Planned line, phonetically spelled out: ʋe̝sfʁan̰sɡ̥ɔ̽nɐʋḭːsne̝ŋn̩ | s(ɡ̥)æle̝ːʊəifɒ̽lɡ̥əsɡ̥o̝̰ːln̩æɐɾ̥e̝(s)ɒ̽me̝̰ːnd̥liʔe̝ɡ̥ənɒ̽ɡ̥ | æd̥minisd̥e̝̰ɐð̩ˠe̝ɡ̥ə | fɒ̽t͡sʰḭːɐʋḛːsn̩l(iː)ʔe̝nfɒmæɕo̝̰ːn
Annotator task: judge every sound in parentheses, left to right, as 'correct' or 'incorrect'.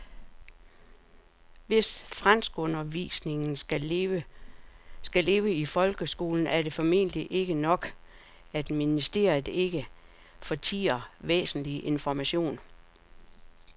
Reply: correct, incorrect: f, incorrect: i

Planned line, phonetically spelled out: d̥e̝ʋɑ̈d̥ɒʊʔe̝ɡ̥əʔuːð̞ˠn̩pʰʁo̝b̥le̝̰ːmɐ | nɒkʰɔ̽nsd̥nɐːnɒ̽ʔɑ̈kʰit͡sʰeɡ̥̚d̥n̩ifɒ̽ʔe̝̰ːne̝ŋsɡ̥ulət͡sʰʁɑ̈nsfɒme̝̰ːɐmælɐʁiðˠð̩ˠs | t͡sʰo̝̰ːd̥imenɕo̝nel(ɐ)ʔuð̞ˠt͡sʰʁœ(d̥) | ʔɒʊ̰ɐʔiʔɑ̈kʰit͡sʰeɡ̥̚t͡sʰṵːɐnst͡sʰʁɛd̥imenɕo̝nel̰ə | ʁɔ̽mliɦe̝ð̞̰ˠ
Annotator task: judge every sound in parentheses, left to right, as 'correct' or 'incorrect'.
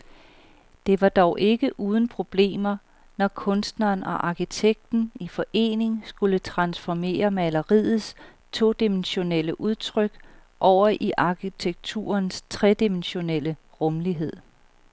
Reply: incorrect: ə, incorrect: ɡ̥

